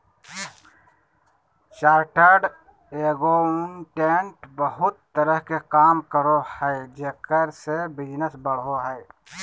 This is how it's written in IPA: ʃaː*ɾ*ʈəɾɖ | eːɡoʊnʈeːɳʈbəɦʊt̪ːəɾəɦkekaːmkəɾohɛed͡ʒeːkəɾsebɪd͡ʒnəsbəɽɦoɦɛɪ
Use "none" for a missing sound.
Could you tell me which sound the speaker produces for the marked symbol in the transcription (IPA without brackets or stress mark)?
ɾ